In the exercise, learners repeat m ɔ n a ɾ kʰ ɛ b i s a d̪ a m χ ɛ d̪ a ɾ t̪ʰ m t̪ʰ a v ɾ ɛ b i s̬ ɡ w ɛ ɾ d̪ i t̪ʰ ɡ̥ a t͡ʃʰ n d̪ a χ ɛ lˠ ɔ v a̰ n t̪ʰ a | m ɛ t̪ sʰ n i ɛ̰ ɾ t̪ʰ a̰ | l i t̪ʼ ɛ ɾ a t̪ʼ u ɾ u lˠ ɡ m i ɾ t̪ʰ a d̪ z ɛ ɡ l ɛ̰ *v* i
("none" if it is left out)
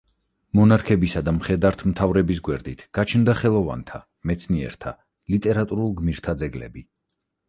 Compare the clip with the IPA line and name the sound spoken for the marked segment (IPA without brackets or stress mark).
b